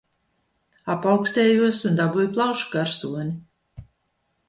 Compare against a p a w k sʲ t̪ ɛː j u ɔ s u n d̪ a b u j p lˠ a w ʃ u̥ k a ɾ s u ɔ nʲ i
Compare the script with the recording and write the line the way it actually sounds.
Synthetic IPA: a p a w k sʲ t̪ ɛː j u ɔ s u n d̪ a b u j p lˠ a w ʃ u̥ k a ɾ s u ɔ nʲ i